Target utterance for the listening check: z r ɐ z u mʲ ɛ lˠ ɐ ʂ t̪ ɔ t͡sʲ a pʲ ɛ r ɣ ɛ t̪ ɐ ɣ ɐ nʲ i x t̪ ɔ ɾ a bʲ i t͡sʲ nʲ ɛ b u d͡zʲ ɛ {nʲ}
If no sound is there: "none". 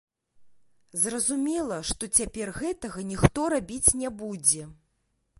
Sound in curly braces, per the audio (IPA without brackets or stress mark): none